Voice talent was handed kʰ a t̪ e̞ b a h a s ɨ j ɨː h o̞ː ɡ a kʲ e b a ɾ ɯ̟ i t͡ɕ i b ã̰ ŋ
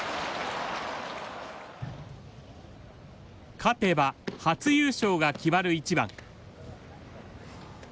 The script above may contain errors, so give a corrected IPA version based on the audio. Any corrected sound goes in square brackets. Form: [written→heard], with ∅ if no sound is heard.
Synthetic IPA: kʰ a t̪ e̞ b a h a [s→t͡s] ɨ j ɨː [h→ɕ] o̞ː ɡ a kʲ [e→i] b a ɾ ɯ̟ i t͡ɕ i b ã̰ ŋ